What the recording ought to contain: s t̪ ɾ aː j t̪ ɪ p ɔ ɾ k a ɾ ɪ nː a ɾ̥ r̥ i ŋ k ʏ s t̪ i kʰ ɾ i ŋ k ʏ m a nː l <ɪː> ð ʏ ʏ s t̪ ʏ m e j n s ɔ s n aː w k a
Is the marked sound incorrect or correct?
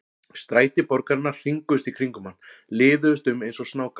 correct